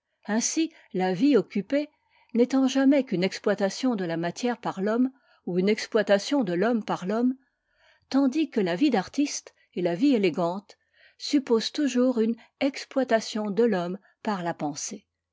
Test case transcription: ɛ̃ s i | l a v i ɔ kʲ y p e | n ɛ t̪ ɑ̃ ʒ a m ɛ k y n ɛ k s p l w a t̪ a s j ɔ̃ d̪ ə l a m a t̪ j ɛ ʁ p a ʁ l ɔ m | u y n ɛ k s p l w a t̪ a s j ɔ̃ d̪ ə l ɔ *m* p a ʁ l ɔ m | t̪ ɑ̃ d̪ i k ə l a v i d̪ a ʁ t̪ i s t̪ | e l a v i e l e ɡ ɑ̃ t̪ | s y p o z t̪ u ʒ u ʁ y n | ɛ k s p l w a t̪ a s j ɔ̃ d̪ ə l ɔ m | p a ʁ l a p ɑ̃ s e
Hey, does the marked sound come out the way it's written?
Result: yes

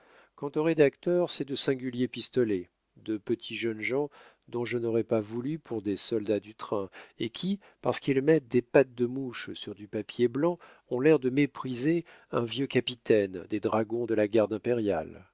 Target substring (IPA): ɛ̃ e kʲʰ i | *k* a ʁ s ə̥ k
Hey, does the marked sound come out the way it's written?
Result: no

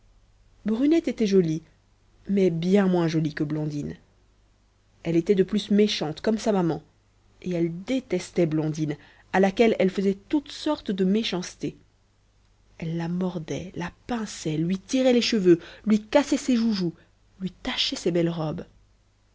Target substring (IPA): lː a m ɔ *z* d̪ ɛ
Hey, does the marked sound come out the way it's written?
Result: no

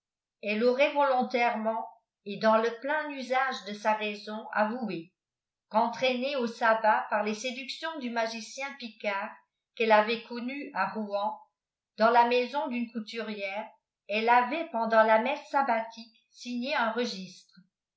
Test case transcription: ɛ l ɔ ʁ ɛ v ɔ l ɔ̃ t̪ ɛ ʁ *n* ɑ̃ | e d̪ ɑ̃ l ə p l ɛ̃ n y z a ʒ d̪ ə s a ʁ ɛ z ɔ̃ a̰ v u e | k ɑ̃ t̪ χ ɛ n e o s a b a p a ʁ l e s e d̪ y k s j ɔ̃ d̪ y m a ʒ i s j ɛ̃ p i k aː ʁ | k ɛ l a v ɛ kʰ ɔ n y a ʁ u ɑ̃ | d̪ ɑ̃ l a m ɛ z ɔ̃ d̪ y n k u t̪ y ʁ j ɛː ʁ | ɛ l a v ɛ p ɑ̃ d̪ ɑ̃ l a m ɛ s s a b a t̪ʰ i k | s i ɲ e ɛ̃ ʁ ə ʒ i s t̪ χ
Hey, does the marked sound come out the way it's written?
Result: no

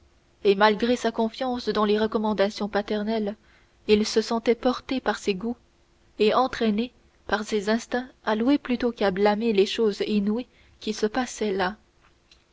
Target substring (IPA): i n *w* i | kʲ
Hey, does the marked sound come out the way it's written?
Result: yes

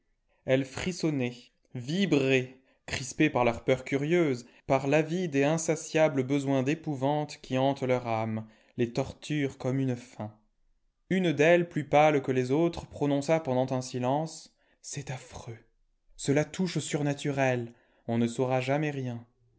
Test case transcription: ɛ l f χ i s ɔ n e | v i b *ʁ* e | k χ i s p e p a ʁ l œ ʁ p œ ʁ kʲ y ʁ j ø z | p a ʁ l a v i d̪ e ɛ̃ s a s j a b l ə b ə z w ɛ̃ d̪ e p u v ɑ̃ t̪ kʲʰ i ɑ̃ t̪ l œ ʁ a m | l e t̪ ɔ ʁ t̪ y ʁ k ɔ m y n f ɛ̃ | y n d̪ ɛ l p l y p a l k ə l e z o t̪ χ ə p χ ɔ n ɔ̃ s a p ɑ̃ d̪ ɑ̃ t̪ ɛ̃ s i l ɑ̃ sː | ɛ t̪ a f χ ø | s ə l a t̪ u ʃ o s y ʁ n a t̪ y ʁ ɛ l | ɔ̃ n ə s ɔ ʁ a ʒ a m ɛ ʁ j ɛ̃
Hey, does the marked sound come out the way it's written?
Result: yes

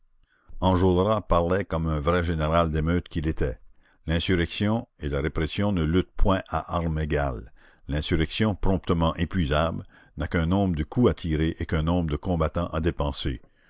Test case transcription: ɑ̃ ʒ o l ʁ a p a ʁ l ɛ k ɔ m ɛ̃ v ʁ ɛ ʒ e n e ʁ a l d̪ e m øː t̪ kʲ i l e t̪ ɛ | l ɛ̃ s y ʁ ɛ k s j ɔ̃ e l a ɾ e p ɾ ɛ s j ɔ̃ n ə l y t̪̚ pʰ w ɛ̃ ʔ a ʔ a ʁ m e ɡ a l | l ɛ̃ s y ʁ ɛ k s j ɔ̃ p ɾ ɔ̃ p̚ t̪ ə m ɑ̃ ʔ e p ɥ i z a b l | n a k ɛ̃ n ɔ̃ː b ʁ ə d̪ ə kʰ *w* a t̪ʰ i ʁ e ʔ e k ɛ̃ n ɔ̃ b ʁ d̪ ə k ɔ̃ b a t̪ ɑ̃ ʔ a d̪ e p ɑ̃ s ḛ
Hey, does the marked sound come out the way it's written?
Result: no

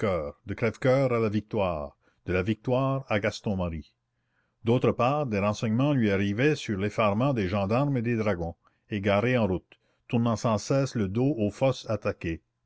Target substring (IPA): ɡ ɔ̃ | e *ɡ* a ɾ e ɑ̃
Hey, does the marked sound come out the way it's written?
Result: yes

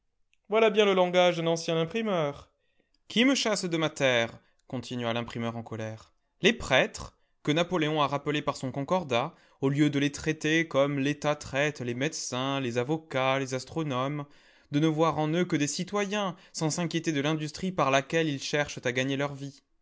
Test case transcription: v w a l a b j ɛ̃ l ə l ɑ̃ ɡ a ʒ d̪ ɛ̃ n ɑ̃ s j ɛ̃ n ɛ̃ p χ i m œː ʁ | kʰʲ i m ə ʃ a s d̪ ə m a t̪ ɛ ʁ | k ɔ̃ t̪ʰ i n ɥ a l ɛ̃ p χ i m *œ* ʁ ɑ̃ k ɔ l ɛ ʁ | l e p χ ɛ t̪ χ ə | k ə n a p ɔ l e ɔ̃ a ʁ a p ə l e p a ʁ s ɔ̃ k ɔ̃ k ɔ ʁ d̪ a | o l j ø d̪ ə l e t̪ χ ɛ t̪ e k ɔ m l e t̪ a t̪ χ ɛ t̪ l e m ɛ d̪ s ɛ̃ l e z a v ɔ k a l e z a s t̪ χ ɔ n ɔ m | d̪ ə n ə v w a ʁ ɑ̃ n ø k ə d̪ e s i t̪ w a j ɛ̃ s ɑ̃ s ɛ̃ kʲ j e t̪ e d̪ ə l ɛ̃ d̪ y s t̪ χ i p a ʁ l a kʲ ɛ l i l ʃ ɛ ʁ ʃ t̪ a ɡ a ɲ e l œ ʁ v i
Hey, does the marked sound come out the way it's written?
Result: yes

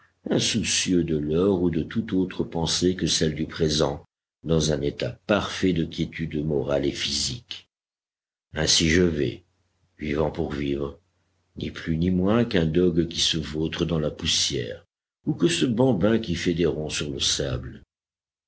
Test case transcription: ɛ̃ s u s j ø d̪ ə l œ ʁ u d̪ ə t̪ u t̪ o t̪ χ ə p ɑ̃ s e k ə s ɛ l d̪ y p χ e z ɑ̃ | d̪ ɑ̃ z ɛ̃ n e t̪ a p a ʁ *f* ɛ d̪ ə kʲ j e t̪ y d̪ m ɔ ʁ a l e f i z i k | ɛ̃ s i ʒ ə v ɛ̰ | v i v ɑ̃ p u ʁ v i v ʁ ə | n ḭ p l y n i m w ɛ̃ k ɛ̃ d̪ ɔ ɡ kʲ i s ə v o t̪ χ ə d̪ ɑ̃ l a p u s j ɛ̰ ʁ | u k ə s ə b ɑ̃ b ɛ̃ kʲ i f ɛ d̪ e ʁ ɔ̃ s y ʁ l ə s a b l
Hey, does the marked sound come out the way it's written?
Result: yes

